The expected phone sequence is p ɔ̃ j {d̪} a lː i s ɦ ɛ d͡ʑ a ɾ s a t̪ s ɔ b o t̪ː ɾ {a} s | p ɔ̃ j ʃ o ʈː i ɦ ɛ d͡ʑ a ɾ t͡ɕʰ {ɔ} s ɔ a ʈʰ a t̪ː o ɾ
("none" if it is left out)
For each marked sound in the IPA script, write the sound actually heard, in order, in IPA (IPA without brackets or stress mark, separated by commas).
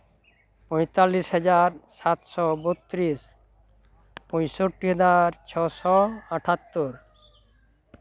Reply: t̪, i, ɔ